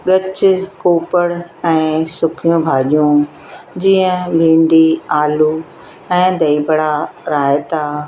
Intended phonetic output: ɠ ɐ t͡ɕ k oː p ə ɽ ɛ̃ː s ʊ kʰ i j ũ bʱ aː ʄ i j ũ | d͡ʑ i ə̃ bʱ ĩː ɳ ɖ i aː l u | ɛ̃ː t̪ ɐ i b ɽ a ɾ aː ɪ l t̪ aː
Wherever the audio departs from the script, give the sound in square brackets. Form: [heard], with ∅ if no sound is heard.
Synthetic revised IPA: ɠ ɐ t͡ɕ k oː p ə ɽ ɛ̃ː s ʊ kʰ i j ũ bʱ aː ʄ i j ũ | d͡ʑ i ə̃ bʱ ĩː ɳ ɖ i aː l u | ɛ̃ː [d̪] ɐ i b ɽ a ɾ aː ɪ [∅] t̪ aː